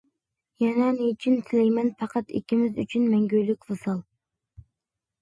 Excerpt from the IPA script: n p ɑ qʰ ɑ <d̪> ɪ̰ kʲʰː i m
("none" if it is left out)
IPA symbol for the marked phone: t̪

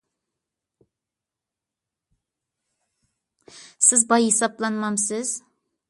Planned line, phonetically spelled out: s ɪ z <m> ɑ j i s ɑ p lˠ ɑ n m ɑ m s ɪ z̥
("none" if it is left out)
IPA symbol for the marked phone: b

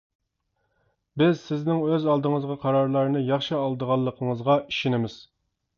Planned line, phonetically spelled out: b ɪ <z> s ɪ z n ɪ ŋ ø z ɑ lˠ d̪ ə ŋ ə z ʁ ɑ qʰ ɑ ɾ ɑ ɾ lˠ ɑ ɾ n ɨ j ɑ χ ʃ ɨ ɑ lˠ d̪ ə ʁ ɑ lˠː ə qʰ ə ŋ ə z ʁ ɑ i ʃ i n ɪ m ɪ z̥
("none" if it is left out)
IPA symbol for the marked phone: z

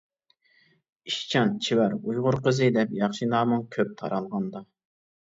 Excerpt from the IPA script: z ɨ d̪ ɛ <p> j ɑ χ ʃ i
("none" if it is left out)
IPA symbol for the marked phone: p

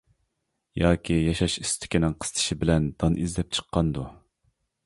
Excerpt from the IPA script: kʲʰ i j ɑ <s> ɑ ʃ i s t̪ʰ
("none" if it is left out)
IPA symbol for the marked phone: ʃ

